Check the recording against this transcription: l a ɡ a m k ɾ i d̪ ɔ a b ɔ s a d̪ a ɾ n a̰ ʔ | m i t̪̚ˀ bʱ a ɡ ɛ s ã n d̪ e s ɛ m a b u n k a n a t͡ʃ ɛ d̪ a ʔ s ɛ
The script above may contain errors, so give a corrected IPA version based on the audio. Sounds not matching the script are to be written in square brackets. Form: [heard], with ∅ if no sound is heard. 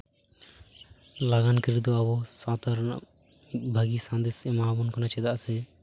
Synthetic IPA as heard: l a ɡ a [n] k ɾ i d̪ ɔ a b ɔ s a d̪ a ɾ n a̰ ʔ | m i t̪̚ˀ bʱ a ɡ [i] s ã n d̪ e s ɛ m a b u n k a n a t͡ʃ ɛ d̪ a ʔ s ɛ